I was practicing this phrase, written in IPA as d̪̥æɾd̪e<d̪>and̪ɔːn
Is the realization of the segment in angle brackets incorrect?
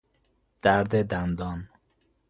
no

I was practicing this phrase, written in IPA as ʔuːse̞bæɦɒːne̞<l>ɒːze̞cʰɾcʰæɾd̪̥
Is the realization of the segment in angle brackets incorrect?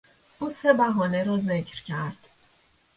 yes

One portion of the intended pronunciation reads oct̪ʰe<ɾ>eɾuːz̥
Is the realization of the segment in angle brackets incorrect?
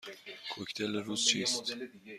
yes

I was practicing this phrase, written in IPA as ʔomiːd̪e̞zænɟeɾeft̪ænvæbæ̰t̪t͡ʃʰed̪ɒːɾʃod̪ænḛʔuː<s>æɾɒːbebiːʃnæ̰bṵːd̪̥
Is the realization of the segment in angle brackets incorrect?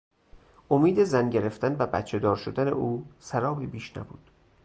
no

